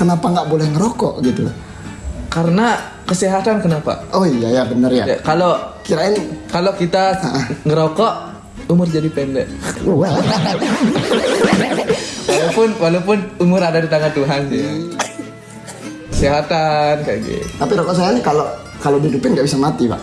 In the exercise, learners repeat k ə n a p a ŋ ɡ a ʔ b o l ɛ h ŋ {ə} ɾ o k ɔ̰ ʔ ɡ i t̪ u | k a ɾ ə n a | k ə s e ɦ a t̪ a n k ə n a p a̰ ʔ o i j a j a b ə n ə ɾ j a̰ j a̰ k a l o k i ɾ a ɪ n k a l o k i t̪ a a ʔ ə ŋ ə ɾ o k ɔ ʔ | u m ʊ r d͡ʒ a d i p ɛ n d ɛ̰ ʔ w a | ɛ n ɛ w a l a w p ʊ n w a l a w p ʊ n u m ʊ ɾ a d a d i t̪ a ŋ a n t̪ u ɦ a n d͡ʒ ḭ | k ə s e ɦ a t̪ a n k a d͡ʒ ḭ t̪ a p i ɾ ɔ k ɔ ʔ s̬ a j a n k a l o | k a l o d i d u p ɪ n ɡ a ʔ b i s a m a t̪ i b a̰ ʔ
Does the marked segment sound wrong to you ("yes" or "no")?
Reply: no